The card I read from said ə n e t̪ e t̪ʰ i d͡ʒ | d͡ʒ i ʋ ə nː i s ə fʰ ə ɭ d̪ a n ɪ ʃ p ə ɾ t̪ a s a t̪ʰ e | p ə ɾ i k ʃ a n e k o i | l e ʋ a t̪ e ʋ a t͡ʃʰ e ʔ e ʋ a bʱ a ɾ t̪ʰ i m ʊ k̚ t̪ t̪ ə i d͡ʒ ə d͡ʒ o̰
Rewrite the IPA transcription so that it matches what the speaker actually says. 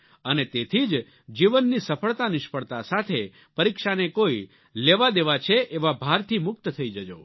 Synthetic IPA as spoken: ə n e t̪ e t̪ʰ i d͡ʒ | d͡ʒ i ʋ ə nː i s ə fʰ ə ɭ t̪ a n ɪ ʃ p ə ɭ t̪ a s a t̪ʰ e | p ə ɾ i k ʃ a n e k o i | l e ʋ a d̪ e ʋ a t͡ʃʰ e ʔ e ʋ a bʱ a ɾ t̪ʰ i m ʊ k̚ t̪ t̪ʰ ə i d͡ʒ ə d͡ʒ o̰